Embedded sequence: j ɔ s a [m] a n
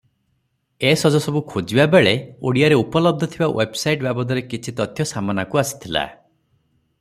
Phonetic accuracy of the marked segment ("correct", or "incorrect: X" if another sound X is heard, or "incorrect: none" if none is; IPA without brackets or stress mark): correct